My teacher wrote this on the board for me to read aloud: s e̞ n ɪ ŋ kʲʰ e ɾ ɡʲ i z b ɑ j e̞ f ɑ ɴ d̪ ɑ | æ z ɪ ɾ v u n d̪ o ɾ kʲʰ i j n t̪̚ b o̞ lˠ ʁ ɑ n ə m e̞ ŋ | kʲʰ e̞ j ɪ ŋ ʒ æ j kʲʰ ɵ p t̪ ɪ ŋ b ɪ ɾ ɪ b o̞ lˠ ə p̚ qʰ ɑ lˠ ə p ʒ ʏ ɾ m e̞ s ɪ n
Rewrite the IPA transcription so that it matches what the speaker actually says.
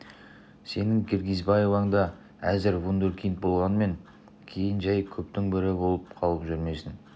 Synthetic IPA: s e̞ n ɪ ŋ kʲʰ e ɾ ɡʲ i z b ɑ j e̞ v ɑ ɴ d̪ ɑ | æ z ɪ ɾ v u n d̪ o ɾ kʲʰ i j n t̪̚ b o̞ lˠ ʁ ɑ n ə m e̞ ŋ | kʲʰ e̞ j ɪ n ʒ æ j kʲʰ ɵ p t̪ ɪ ŋ b ɪ ɾ ɪ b o̞ lˠ ə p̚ qʰ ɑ lˠ ə p ʒ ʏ ɾ m e̞ s ɪ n